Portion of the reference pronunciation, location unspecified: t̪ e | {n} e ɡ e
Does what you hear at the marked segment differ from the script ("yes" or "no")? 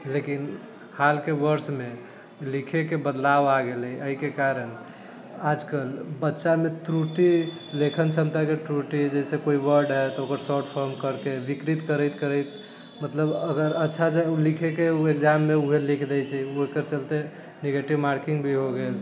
no